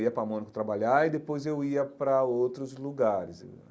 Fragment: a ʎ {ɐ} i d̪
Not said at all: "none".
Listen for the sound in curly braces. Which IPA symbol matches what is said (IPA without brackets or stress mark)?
a